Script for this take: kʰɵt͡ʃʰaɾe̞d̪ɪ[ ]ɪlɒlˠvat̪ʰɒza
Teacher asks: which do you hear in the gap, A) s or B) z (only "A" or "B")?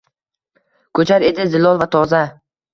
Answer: B